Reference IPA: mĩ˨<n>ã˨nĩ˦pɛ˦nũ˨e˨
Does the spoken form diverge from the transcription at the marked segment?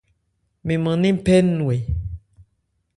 yes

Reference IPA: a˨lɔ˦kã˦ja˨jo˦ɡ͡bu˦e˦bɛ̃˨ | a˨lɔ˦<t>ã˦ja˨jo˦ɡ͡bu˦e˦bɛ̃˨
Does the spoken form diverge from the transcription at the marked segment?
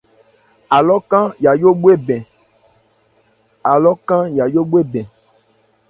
yes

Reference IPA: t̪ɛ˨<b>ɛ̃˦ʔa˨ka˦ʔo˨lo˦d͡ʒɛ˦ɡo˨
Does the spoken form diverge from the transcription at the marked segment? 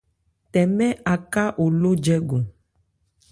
yes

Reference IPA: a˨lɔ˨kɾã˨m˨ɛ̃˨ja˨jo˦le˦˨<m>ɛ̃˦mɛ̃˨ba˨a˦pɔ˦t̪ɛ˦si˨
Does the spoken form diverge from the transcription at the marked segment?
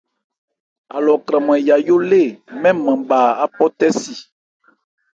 no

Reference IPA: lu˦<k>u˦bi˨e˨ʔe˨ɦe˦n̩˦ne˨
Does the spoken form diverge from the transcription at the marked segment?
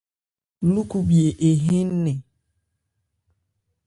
no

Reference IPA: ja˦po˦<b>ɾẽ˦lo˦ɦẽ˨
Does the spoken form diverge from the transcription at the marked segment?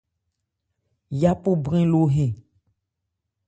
no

